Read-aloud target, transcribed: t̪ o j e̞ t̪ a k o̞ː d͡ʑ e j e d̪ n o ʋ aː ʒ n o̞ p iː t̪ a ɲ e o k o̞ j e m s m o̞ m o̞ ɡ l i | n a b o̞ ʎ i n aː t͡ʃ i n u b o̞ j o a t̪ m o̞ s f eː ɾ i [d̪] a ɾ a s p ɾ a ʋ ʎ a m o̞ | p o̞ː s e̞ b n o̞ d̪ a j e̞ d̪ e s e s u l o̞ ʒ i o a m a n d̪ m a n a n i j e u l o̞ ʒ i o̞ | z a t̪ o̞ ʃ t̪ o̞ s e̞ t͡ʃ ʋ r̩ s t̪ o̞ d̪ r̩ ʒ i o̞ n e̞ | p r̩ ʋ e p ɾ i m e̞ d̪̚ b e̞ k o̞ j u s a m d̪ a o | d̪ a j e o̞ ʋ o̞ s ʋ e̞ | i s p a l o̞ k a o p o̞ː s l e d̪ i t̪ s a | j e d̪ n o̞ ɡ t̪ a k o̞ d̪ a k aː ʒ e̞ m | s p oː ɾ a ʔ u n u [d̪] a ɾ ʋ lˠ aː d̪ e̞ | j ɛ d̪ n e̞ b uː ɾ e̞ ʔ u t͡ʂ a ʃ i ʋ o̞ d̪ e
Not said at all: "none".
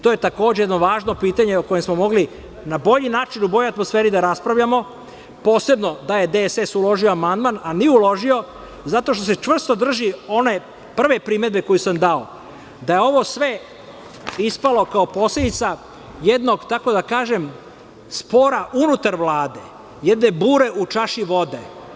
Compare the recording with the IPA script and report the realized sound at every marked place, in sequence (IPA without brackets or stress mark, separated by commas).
d̪, t̪